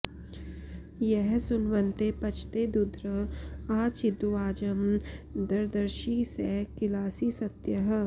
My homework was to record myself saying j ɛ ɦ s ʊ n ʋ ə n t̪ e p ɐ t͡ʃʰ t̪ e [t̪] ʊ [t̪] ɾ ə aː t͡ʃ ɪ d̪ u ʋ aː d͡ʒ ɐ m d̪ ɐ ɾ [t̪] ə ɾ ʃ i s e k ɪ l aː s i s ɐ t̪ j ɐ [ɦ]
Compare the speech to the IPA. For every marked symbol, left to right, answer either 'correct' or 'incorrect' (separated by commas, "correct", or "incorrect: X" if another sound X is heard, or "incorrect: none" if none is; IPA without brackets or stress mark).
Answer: incorrect: d̪, incorrect: d̪, incorrect: d̪, correct